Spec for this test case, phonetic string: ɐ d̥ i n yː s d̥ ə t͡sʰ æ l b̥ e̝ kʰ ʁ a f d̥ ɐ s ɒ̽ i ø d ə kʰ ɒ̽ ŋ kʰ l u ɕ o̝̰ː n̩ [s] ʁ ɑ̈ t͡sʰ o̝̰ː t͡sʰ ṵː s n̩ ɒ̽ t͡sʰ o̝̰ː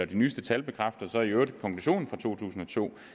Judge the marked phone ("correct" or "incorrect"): incorrect